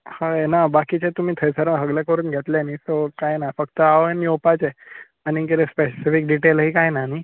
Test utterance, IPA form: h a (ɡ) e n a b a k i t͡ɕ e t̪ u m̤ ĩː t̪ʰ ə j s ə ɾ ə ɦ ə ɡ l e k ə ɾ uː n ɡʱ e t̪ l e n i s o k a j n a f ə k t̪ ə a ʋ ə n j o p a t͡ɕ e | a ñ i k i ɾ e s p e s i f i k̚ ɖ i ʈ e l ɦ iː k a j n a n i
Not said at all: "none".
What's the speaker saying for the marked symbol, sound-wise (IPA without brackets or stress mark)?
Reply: none